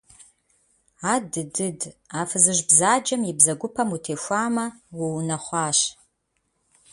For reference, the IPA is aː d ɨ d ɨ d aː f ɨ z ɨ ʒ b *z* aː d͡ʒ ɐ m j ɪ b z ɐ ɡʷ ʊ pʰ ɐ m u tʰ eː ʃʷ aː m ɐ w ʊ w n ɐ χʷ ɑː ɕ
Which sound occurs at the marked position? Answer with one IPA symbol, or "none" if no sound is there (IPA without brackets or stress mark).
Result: z